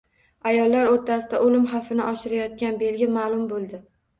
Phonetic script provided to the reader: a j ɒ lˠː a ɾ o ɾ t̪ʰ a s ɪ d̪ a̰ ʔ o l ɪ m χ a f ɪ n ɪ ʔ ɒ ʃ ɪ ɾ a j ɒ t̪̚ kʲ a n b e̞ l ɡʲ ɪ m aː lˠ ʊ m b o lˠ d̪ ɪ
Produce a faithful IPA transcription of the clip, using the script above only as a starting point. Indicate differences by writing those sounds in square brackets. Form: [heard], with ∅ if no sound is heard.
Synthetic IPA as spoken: a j ɒ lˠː a ɾ o ɾ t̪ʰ a s ɪ d̪ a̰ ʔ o l ɪ m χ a f ɪ n ɪ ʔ ɒ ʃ ɪ ɾ a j ɒ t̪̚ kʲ a n b e̞ l ɡʲ ɪ m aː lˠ ʊ m b o lˠ d̪ ɪ